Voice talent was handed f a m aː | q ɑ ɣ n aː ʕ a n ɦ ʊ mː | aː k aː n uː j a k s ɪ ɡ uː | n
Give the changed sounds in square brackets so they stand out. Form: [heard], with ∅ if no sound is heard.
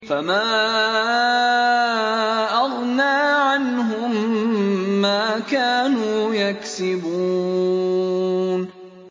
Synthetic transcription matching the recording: f a m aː | [ʔ] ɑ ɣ n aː ʕ a n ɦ ʊ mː | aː k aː n uː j a k s ɪ [b] uː | n